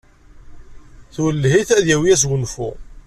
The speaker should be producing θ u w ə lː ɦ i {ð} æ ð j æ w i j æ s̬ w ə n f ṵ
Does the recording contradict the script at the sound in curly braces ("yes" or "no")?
yes